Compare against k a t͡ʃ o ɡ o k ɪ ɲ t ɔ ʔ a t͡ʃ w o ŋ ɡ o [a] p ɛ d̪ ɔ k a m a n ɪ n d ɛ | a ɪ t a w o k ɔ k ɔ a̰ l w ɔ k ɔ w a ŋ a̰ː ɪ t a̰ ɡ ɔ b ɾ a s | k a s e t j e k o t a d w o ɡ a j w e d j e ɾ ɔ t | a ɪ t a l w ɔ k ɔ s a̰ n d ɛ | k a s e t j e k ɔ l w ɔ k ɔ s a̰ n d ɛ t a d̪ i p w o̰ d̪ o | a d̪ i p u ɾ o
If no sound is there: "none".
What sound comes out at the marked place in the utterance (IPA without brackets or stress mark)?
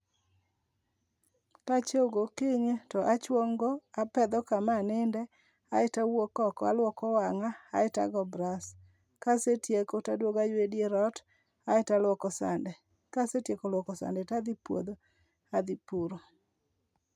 a